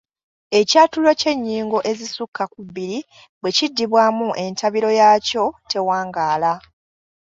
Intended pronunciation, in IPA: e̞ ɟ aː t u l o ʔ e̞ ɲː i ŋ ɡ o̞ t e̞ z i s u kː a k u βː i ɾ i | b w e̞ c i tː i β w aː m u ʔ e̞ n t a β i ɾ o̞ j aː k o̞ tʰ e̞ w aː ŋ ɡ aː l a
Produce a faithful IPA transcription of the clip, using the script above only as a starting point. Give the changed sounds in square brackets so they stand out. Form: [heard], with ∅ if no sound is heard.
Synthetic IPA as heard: e̞ [c] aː t u l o [c] e̞ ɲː [iː] ŋ ɡ o̞ [ʔ] e̞ z i s u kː a k u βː i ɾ i | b w e̞ c i [dː] i β w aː m u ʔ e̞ n t a β i ɾ o̞ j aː [c] o̞ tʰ e̞ w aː ŋ ɡ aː l a